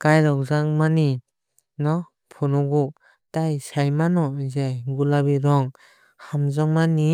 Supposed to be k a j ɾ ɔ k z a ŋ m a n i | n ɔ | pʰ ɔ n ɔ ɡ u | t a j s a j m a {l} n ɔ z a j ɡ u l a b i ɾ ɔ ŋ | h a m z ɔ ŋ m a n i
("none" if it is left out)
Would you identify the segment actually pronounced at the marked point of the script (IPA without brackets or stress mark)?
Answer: none